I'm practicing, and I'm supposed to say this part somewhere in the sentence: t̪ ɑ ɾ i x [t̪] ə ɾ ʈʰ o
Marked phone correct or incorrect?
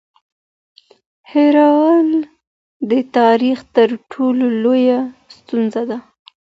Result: correct